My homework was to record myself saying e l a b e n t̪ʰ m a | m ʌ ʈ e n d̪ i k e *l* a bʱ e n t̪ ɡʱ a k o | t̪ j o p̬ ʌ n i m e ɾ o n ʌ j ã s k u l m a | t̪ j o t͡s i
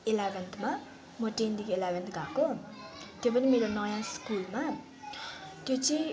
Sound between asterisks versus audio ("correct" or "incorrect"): correct